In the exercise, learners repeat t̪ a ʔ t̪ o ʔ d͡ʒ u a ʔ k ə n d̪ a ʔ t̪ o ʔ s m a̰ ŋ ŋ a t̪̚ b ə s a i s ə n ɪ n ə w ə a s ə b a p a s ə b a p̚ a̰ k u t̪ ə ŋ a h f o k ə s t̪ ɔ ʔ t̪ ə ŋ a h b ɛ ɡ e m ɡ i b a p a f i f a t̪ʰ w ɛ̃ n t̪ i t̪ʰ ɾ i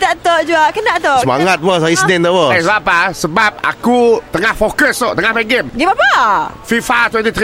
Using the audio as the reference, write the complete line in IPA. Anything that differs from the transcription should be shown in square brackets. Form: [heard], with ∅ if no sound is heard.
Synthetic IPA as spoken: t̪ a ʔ t̪ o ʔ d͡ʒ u a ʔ k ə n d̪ a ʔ t̪ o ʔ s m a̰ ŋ ŋ a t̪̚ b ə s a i s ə n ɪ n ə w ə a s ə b a p a s ə b a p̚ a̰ k u t̪ ə ŋ a h f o k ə s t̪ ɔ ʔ t̪ ə ŋ a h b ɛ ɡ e m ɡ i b a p a f i f a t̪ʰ w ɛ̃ n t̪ i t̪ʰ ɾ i